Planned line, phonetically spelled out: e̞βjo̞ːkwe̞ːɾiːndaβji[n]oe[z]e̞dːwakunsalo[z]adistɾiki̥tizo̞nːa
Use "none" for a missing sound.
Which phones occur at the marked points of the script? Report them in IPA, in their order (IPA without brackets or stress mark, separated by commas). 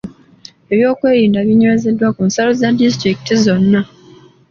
ɲ, z, z